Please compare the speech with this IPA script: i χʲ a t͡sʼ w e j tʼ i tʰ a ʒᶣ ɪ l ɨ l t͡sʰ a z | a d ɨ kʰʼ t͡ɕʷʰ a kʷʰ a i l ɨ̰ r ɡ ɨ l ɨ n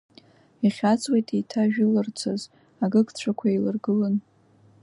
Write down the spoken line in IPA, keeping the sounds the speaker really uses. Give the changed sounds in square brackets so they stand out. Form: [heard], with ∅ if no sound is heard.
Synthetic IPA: i χʲ a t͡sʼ w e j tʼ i tʰ a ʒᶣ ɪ l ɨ [r] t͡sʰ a z | a [ɡ] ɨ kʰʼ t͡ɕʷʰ a kʷʰ a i l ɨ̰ r ɡ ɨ l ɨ n